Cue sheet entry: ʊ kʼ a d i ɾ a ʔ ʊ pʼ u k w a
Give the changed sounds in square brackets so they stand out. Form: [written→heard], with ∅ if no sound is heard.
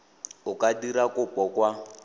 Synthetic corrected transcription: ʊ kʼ a d i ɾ a [ʔ→k] ʊ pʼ [u→ɔ] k w a

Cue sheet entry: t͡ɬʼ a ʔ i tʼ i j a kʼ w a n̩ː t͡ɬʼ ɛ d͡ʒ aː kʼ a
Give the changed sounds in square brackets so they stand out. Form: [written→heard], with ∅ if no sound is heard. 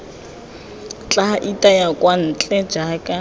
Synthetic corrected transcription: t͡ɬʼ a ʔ i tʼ [i→a] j a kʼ w a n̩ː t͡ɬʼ ɛ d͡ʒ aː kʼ a

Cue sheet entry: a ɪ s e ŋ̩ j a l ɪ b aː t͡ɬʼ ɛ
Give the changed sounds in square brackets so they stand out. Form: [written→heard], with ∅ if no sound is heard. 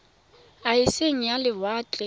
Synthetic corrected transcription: a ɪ s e ŋ̩ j a l ɪ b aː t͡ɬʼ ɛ

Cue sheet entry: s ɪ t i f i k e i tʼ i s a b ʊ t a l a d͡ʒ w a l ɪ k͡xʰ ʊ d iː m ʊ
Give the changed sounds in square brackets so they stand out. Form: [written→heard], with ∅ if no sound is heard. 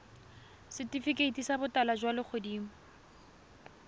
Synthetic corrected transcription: s ɪ t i f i k e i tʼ i s a b ʊ t a l a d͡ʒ w a l ɪ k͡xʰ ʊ d iː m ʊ

